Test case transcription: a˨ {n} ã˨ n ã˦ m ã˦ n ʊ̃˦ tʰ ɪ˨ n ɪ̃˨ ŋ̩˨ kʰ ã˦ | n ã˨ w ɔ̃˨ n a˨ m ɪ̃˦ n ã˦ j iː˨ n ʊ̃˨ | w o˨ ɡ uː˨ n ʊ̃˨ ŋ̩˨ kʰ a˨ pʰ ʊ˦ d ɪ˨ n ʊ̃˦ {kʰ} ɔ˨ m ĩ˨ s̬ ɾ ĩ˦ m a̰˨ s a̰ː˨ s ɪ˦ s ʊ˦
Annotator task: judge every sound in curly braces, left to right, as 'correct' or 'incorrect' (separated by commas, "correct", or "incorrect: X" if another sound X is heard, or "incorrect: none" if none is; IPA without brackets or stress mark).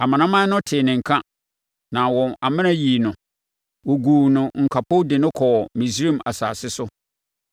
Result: incorrect: m, correct